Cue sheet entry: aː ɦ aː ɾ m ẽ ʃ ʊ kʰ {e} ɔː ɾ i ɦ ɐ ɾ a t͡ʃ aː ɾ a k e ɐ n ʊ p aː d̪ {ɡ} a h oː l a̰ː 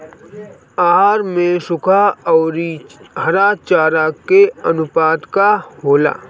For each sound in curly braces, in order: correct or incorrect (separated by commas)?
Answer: incorrect, incorrect